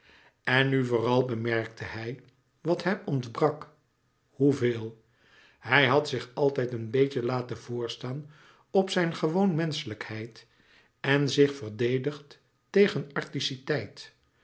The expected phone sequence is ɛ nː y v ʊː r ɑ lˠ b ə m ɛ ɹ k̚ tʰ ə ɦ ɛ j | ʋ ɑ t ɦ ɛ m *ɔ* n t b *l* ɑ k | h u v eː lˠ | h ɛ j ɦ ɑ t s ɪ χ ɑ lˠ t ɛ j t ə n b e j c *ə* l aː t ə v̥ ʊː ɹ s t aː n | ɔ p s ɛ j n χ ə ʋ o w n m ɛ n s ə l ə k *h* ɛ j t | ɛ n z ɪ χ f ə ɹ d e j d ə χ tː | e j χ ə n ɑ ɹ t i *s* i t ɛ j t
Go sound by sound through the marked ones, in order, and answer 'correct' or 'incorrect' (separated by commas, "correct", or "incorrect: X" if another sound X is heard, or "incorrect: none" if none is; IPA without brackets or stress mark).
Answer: correct, incorrect: r, correct, correct, correct